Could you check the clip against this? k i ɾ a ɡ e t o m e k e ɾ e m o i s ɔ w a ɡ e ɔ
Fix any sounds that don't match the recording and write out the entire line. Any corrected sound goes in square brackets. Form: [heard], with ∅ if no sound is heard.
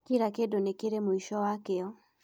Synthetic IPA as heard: k i ɾ a [k] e [d] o [n] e k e ɾ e m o i [ʃ] ɔ w a [k] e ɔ

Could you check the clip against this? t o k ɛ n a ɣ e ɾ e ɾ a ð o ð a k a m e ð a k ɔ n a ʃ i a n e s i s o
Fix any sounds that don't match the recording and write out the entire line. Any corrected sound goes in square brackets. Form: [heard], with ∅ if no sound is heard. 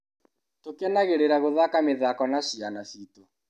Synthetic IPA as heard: t o k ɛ n a ɣ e ɾ e ɾ a [ɣ] o ð a k a m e ð a k ɔ n a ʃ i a n [a] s i [t] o

